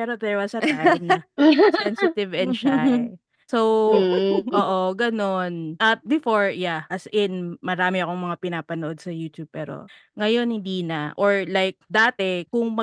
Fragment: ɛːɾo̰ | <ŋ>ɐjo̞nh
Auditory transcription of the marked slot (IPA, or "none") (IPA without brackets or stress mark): ŋ